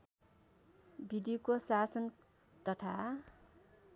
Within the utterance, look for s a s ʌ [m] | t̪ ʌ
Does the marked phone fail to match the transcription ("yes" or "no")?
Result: yes